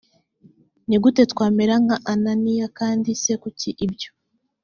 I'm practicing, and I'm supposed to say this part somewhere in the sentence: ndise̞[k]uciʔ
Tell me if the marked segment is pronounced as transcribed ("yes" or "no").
yes